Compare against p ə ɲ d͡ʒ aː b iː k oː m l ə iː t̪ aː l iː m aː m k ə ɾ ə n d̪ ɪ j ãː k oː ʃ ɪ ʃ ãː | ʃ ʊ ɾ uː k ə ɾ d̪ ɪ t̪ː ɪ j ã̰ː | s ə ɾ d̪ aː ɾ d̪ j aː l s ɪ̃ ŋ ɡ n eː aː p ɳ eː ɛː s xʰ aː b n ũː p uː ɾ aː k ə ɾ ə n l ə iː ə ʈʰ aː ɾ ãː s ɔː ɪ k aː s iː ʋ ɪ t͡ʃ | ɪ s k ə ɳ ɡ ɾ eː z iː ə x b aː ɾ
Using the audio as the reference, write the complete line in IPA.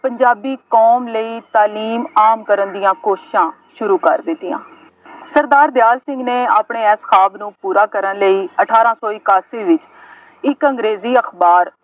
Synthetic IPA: p ə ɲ d͡ʒ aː b iː k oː m l ə iː t̪ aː l iː m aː m k ə ɾ ə n d̪ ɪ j ãː k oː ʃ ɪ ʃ ãː | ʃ ʊ ɾ uː k ə ɾ d̪ ɪ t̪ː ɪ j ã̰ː | s ə ɾ d̪ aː ɾ d̪ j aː l s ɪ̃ ŋ ɡ n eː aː p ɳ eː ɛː s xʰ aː b n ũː p uː ɾ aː k ə ɾ ə n l ə iː ə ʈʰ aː ɾ ãː s ɔː ɪ k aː s iː ʋ ɪ t͡ʃ | ɪ k ə ŋ ɡ ɾ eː z iː ə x b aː ɾ